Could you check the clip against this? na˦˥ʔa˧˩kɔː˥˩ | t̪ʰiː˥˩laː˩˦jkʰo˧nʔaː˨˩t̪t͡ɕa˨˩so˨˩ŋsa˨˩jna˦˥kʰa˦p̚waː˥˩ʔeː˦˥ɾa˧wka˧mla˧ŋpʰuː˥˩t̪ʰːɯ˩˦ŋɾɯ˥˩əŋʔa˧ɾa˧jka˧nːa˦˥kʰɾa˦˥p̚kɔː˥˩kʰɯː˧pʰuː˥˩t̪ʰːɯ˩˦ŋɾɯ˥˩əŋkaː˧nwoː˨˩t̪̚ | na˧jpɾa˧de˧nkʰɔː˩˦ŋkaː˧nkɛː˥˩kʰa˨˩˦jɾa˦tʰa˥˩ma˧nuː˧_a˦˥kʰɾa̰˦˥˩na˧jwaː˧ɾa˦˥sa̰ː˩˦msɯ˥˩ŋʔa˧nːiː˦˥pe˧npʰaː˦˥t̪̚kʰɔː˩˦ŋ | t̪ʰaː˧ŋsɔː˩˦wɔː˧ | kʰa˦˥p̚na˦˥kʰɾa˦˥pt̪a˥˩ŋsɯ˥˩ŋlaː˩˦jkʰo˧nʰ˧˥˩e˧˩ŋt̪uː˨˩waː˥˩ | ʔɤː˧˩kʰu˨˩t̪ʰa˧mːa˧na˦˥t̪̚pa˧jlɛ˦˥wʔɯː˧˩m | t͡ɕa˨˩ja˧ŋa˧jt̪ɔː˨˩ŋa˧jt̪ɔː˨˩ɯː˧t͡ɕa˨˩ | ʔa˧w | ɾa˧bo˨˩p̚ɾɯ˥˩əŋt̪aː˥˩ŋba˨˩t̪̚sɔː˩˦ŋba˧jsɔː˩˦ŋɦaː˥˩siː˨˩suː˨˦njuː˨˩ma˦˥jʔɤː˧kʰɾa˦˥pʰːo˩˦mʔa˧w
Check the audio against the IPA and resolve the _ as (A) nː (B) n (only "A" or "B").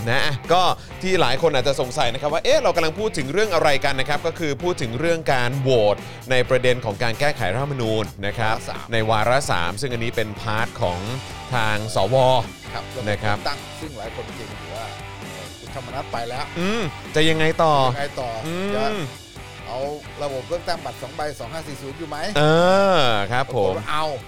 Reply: A